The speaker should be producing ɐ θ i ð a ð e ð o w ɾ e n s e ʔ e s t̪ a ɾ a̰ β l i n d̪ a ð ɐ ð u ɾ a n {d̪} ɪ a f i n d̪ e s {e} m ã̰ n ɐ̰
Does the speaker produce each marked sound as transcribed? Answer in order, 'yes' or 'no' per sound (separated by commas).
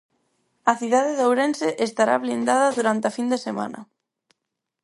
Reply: no, yes